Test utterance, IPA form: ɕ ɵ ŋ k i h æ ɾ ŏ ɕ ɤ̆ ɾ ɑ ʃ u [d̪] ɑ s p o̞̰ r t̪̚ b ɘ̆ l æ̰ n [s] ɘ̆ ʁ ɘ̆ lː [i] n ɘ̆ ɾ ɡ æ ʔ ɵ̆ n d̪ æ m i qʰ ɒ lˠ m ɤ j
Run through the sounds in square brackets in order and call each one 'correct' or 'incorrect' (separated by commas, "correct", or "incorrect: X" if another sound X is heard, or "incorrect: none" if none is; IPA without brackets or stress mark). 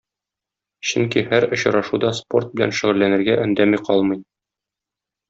correct, incorrect: ʃ, incorrect: æ